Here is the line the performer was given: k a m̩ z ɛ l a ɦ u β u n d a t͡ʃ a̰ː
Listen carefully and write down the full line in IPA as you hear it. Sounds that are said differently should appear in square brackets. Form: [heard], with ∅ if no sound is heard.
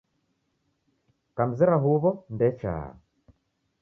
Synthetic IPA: k a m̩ z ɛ [ɾ] a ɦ u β [ɔ] n d [ɛ] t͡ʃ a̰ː